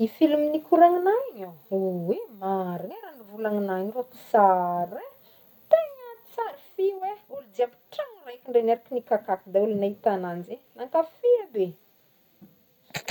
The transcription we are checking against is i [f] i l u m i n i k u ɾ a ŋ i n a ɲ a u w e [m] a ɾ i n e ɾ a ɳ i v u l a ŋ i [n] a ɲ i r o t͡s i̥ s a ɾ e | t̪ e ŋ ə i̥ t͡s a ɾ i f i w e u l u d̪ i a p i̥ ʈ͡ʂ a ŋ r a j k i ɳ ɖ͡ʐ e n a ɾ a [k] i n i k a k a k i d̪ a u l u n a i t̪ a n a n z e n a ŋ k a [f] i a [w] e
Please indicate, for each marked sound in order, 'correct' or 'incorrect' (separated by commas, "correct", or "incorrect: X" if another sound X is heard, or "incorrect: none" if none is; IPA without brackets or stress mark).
correct, correct, correct, correct, correct, incorrect: b